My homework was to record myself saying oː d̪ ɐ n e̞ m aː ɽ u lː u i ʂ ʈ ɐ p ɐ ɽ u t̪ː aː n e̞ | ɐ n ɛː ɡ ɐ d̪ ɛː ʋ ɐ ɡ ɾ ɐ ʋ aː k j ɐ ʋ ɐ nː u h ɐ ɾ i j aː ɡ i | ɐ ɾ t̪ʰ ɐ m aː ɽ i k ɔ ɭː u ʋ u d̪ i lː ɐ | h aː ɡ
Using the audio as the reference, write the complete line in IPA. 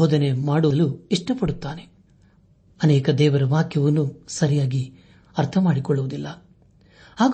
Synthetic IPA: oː d̪ ɐ n e̞ m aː ɽ u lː u i ʂ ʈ ɐ p ɐ ɽ u t̪ː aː n e̞ | ɐ n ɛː k ɐ d̪ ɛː ʋ ɐ ɾ ɐ ʋ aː k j ɐ ʋ ɐ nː u s ɐ ɾ i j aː ɡ i | ɐ ɾ t̪ʰ ɐ m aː ɽ i k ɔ ɭː u ʋ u d̪ i lː ɐ | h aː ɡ